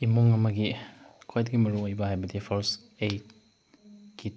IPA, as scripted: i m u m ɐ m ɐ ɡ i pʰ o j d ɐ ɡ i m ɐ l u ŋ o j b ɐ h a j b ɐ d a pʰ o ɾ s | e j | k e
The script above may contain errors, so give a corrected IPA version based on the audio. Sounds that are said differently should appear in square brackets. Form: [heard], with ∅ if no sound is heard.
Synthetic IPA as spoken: i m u [ŋ] ɐ m ɐ ɡ i [kʰ] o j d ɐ ɡ i m ɐ [ɾ] u ŋ o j b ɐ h a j b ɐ d [i] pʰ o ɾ s | e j | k [i]